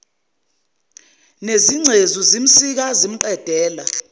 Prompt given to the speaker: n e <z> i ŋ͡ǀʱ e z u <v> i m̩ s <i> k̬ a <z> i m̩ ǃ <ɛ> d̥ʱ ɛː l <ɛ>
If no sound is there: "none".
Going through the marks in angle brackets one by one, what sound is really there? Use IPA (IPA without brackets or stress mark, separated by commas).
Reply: z, z, i, z, ɛ, a